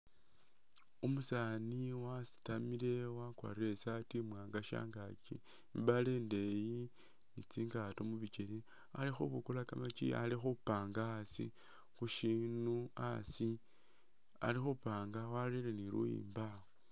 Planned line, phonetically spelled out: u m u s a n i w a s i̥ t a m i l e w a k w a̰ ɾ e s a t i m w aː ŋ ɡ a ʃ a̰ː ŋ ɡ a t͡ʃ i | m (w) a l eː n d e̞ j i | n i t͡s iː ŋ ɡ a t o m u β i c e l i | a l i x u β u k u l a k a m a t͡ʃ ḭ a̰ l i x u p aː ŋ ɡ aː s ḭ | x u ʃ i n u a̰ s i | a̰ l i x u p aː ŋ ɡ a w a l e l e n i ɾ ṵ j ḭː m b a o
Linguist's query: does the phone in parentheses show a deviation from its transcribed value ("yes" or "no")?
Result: yes